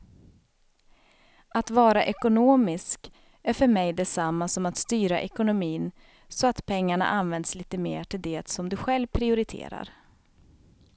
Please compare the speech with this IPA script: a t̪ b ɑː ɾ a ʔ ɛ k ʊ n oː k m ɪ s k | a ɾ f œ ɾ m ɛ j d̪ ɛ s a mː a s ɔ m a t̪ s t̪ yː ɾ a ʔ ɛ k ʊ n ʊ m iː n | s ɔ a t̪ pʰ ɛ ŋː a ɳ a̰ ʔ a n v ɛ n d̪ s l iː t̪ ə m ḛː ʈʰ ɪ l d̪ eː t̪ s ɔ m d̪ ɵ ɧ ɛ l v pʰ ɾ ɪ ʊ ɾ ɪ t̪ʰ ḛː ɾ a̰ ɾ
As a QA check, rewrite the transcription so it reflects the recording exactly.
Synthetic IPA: a t̪ v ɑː ɾ a ʔ ɛ k ʊ n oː m ɪ s k | æ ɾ f œ ɾ m ɛ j d̪ ɛ s a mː a s ɔ m a t̪ s t̪ yː ɾ a ʔ ɛ k ʊ n ʊ m iː n | s ɔ a t̪ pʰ ɛ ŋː a ɳ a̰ ʔ a n v ɛ n d̪ s l iː t̪ ə m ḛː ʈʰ ɪ l d̪ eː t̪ s ɔ m d̪ ɵ ɧ ɛ l v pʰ ɾ ɪ ʊ ɾ ɪ t̪ʰ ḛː ɾ a̰ ɾ